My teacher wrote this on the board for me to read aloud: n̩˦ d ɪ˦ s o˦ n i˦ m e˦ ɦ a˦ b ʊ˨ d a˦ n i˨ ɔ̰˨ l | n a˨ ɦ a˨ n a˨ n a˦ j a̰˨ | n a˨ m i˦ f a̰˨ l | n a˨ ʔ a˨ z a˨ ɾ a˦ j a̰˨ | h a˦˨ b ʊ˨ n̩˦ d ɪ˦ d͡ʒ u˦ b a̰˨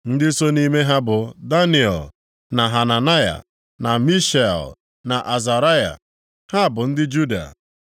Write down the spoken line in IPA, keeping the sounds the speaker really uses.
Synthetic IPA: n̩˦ d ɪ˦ s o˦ n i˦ m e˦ ɦ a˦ b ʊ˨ d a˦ n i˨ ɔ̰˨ l | n a˨ ɦ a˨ n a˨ n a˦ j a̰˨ | n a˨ m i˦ ʃ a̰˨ l | n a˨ ʔ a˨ z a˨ ɾ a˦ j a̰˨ | h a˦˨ b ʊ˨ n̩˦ d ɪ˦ d͡ʒ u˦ d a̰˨